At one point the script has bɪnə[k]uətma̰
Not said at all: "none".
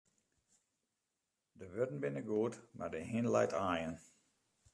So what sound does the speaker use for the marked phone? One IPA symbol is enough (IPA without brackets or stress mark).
ɡ